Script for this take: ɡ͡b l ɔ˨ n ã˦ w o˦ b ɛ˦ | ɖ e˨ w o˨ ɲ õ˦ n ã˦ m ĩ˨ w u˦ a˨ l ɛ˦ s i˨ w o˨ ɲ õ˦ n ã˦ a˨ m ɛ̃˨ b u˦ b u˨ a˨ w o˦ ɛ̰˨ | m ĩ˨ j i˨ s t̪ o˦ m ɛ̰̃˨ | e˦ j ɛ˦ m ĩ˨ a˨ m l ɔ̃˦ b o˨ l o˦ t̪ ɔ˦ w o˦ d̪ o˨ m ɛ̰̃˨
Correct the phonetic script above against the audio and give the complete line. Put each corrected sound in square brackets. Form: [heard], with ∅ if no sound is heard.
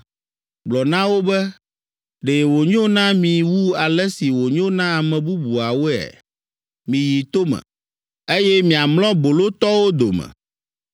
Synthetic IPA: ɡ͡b l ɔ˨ n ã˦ w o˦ b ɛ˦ | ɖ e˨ w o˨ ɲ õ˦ n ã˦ m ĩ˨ w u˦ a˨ l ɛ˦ s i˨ w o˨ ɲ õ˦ n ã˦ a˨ m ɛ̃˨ b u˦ b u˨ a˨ w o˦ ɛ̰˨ | m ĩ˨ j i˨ [∅] t̪ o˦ m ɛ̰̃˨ | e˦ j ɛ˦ m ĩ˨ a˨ m l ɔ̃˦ b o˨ l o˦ t̪ ɔ˦ w o˦ d̪ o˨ m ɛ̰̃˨